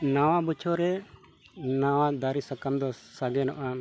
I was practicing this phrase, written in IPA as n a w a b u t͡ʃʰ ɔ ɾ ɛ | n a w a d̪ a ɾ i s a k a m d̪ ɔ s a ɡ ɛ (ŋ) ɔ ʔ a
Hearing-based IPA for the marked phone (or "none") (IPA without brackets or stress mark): n